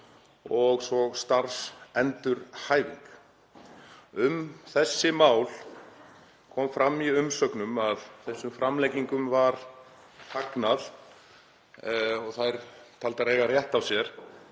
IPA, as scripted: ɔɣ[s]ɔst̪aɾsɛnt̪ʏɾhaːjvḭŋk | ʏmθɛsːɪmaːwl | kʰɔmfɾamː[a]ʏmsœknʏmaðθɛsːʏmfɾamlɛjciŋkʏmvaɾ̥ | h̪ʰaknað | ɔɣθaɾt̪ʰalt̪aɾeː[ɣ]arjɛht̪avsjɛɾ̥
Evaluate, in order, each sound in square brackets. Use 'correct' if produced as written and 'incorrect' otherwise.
correct, incorrect, correct

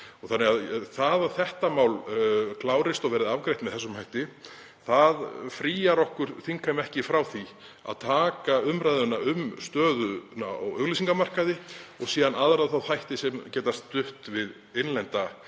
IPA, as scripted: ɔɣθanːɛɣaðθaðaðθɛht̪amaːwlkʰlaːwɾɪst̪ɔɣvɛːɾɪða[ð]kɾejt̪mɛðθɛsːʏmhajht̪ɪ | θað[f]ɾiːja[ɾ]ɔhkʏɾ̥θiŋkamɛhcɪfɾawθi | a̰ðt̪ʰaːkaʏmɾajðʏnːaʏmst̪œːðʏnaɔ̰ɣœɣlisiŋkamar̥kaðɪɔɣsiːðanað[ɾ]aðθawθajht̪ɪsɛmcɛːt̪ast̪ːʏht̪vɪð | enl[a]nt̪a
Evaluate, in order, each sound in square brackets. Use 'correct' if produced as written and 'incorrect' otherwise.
incorrect, correct, correct, correct, incorrect

